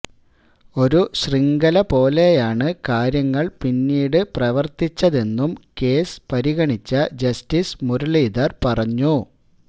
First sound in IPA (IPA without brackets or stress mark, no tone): o̞